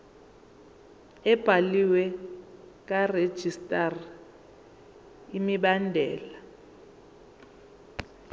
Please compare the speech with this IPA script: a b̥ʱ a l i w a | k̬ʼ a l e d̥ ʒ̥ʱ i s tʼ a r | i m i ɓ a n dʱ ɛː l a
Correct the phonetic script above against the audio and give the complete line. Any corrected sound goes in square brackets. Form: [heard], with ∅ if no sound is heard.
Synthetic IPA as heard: [ɛ] b̥ʱ a l i w [ɛ] | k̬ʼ a [r] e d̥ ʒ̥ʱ i s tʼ a r | i m i ɓ a n dʱ ɛː l a